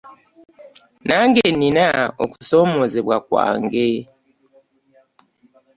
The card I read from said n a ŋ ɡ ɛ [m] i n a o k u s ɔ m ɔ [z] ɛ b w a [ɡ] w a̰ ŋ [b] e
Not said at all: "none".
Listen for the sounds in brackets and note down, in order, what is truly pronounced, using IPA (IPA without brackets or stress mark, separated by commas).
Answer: n, z, k, ɡ